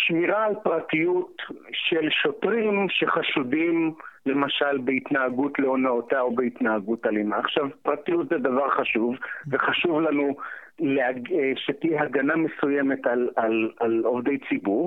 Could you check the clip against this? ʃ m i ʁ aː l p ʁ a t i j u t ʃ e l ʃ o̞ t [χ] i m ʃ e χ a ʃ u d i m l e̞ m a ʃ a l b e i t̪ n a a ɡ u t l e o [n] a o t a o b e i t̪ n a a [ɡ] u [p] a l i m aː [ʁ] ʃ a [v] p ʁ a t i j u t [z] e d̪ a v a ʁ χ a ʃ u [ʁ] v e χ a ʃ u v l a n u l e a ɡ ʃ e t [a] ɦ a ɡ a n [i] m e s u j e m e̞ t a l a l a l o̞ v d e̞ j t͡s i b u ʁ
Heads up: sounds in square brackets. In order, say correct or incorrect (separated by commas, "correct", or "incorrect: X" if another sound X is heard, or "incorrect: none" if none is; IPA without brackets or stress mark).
incorrect: ʁ, correct, correct, incorrect: t, incorrect: χ, correct, correct, incorrect: v, incorrect: i, incorrect: a